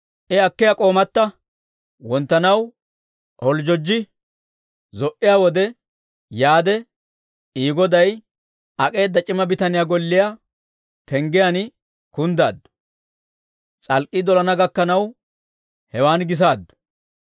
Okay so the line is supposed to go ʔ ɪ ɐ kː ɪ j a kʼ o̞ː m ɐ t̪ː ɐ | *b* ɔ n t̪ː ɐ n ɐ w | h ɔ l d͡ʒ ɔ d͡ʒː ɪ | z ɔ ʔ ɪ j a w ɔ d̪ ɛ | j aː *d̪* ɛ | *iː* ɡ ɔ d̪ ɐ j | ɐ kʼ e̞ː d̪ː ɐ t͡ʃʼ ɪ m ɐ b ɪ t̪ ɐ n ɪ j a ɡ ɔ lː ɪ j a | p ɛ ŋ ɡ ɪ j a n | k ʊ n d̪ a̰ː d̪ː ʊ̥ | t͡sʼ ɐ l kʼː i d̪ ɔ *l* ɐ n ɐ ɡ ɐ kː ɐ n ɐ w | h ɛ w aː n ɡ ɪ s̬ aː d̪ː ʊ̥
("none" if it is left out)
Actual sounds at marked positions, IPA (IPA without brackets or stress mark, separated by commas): w, d̪, iː, l